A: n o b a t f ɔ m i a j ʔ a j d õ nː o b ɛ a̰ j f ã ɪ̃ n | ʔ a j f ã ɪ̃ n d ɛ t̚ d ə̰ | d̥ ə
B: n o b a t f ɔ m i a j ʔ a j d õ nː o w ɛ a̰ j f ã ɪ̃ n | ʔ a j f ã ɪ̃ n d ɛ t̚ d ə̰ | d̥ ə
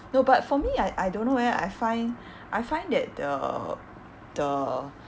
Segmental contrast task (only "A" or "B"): B